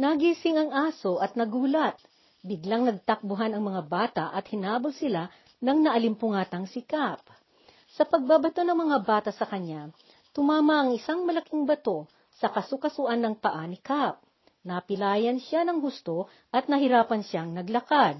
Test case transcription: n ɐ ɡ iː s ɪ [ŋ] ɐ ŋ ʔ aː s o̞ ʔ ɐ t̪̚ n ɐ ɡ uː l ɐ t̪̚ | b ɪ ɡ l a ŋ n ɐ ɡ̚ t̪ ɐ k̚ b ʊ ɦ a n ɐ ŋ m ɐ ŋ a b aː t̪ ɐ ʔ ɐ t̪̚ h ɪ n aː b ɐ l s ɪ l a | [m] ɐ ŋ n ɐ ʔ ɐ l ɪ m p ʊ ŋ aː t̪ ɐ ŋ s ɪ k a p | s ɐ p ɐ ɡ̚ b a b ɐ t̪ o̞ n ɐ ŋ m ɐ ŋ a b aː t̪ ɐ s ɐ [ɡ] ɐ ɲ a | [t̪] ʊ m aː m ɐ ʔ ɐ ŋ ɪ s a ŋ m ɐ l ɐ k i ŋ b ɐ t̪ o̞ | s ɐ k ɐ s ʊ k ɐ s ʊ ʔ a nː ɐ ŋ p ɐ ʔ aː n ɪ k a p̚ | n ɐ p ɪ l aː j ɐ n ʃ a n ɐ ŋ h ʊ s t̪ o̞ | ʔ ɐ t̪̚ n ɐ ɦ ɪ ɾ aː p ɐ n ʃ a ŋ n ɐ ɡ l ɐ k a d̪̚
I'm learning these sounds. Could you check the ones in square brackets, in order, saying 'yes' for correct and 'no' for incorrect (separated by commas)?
yes, no, no, yes